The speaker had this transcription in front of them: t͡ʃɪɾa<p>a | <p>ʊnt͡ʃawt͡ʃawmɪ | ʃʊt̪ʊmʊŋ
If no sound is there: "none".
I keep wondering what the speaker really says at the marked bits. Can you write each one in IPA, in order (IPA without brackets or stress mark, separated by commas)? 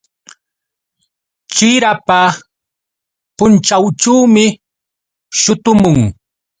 p, p